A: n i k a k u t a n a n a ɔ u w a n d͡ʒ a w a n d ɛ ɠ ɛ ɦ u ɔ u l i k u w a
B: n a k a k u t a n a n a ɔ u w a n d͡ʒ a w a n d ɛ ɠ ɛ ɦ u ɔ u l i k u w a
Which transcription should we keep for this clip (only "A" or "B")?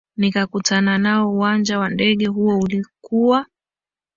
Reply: A